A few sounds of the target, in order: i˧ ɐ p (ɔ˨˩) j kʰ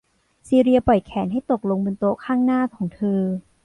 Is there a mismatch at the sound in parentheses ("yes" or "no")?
no